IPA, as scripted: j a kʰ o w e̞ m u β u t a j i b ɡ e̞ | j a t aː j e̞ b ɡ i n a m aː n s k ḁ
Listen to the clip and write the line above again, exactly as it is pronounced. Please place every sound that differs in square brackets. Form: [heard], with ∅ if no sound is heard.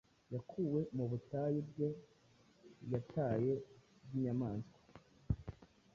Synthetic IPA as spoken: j a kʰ [u] w e̞ m u β u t a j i b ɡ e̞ | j a t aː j e̞ b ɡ i [ɲ] a m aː n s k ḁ